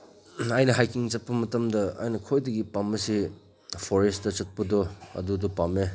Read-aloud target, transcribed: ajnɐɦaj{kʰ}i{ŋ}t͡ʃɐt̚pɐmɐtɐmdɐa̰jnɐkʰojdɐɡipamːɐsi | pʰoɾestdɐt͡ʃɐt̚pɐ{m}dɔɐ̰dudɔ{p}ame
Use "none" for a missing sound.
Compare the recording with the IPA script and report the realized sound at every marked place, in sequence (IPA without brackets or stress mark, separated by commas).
k, ŋ, none, p